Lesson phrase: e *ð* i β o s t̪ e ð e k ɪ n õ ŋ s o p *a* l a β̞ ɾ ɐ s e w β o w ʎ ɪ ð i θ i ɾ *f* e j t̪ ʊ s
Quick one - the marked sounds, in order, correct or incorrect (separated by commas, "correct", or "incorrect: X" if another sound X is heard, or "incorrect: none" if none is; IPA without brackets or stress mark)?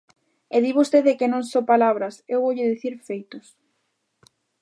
correct, correct, correct